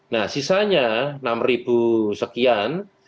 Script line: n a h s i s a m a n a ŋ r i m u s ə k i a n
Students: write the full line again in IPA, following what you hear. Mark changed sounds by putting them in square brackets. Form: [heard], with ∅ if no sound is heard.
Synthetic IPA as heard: n a h s i s a [ɲ] a n a [m] r i [b] u s ə k i a n